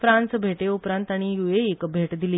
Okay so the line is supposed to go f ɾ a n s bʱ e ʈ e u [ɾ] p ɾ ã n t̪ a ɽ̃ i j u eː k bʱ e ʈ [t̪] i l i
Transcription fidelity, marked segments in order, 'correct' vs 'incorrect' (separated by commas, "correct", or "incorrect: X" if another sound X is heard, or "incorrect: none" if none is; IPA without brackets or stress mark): incorrect: none, incorrect: d̪